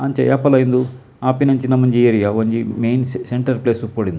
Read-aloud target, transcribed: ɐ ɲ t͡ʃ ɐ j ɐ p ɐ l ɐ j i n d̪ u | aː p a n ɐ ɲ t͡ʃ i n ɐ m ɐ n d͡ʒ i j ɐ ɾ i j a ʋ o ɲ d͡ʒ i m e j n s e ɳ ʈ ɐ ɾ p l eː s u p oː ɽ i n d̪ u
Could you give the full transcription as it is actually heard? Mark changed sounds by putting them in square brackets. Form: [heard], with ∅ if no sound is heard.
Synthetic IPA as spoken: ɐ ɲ t͡ʃ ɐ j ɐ p ɐ l ɐ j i n d̪ u | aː p [i] n ɐ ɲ t͡ʃ i n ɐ m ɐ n d͡ʒ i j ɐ ɾ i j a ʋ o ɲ d͡ʒ i m e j n s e ɳ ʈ ɐ ɾ p l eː s u p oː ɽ i n d̪ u